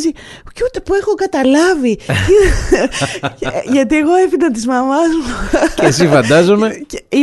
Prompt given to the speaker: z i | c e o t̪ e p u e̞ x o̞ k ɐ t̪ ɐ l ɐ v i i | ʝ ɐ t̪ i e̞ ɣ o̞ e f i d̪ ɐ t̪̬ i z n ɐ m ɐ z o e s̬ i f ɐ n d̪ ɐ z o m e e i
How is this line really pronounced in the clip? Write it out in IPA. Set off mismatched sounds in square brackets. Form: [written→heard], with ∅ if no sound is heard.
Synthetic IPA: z i | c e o t̪ e p u e̞ x o̞ k ɐ t̪ ɐ l ɐ v i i | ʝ ɐ t̪ i e̞ ɣ o̞ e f i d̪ ɐ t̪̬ i z [n→m] ɐ m ɐ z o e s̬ i f ɐ n d̪ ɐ z o m e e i